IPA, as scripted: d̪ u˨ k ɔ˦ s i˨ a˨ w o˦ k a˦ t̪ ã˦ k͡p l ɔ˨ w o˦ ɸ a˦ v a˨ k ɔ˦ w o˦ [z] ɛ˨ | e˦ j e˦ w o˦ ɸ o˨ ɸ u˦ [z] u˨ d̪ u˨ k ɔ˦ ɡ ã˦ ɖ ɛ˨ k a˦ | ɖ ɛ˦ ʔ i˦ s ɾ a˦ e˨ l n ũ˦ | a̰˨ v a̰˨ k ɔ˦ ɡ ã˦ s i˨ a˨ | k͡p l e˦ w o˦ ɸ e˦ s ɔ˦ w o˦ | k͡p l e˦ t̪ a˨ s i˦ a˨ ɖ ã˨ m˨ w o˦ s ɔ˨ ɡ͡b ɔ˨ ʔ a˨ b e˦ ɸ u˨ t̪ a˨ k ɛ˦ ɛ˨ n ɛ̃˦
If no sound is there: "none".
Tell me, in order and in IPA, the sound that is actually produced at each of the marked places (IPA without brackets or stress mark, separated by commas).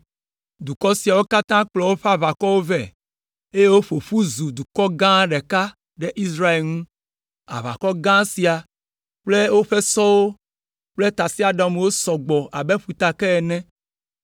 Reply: v, z